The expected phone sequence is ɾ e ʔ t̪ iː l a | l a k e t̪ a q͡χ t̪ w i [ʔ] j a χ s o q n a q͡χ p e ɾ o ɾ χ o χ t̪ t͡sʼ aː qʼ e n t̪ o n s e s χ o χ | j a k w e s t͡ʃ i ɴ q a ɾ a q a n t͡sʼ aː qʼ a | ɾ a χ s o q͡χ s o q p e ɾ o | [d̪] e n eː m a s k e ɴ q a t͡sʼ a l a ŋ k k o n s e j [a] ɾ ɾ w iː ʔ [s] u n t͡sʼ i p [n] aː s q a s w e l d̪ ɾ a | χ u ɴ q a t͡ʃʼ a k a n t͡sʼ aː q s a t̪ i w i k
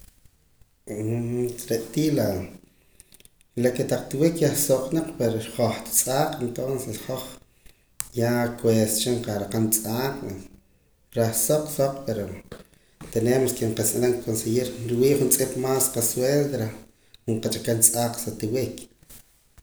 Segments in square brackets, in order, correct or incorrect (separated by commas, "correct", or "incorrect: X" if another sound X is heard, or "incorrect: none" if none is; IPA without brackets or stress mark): incorrect: k, incorrect: t̪, incorrect: i, incorrect: χ, incorrect: m